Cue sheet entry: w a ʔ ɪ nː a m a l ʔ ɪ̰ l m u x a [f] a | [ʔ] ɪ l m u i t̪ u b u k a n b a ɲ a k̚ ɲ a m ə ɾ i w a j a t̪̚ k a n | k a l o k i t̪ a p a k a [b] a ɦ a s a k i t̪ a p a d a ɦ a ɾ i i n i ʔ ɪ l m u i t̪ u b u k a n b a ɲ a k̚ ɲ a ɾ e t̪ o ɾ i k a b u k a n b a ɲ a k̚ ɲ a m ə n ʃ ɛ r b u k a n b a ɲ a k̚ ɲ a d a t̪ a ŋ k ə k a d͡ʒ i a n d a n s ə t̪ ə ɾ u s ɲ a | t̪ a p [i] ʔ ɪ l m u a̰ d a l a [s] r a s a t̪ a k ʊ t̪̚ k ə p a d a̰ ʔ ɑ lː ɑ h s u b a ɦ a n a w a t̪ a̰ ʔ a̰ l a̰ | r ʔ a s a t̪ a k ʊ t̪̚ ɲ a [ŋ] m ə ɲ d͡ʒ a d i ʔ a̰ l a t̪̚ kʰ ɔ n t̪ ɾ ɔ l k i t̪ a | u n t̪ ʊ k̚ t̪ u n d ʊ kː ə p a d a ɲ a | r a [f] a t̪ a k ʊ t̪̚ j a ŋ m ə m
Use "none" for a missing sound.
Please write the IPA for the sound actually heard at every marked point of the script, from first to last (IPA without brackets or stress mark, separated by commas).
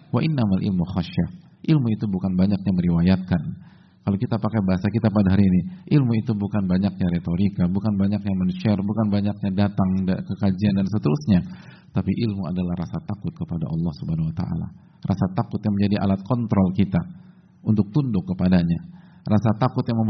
ʃ, ʔ, b, i, h, ŋ, s